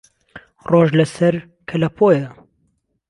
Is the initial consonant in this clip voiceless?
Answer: no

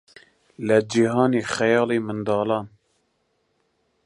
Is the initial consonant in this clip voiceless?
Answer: no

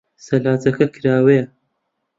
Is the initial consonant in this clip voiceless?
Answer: yes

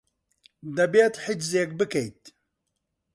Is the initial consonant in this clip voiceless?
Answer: no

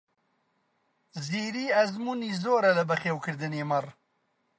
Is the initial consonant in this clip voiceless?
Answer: no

